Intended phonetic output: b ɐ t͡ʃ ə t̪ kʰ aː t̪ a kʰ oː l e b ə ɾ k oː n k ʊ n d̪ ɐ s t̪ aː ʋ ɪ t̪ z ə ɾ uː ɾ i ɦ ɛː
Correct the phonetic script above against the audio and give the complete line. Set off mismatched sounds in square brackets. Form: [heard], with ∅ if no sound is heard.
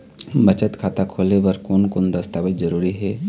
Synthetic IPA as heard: b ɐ t͡ʃ ə t̪ kʰ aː t̪ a kʰ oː l e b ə ɾ k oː n k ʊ n d̪ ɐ s t̪ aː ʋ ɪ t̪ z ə ɾ uː ɾ i ɦ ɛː